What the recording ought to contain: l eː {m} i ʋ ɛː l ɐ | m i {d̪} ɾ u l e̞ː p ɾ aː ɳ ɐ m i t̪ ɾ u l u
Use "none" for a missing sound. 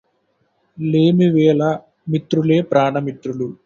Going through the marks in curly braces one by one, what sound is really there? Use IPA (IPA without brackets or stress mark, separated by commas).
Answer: m, t̪